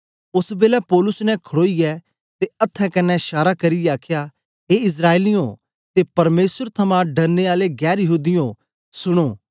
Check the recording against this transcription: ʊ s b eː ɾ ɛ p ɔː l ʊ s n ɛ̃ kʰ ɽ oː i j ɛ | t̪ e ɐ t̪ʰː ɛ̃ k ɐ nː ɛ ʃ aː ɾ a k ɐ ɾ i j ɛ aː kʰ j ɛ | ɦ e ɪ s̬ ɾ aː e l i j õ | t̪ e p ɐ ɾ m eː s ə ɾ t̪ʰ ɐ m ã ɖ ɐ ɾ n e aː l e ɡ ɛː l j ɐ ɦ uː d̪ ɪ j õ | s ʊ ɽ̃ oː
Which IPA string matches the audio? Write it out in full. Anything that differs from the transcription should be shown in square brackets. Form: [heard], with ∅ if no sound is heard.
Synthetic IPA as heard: ʊ s b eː [l] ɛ p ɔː l ʊ s n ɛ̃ kʰ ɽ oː i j ɛ | t̪ e ɐ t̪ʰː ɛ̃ k ɐ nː ɛ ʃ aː ɾ a k ɐ ɾ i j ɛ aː kʰ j [a] | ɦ e ɪ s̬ ɾ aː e l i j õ | t̪ e p ɐ ɾ m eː s ə ɾ t̪ʰ ɐ m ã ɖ ɐ ɾ n e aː l e ɡ ɛː [ɾ] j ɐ ɦ uː d̪ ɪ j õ | s ʊ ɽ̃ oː

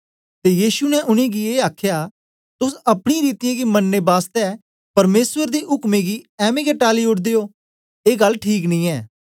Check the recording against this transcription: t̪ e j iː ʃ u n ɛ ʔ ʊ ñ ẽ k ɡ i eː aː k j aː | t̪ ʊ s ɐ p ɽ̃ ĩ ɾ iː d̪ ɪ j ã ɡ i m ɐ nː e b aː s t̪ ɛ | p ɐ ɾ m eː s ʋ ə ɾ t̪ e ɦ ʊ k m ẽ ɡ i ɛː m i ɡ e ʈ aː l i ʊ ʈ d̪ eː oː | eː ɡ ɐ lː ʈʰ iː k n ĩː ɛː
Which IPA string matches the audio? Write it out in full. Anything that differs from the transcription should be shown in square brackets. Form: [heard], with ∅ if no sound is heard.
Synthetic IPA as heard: t̪ e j iː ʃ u n ɛ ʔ ʊ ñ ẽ [∅] ɡ i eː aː [kʰ] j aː | t̪ ʊ s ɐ p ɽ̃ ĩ ɾ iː [t̪] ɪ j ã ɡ i m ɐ nː e b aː s t̪ ɛ | p ɐ ɾ m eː s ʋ ə ɾ [d̪] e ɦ ʊ k m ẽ ɡ i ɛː m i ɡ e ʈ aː l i ʊ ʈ d̪ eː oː | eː ɡ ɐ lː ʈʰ iː k n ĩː ɛː

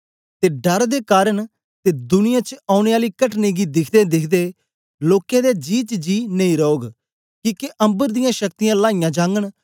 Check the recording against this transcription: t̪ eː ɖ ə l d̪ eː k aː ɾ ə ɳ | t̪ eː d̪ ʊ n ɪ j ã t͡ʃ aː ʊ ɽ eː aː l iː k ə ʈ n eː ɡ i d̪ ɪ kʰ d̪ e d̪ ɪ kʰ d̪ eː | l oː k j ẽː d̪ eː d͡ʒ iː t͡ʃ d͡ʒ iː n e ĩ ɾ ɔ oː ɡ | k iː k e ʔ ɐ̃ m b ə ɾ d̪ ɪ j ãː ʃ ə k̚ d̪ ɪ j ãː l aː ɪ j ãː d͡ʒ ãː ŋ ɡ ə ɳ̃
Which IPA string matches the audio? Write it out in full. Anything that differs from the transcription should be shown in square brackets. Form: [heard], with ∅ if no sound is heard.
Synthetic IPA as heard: t̪ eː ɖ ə [ɾ] d̪ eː k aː ɾ ə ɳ | t̪ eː d̪ ʊ n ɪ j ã t͡ʃ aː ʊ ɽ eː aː l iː k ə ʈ n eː ɡ i d̪ ɪ kʰ d̪ e d̪ ɪ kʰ d̪ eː | l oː k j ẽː d̪ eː d͡ʒ iː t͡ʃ d͡ʒ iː n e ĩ ɾ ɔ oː ɡ | k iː k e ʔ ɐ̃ m b ə ɾ d̪ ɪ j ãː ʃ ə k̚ [t̪] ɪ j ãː l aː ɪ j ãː d͡ʒ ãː ŋ ɡ ə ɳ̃

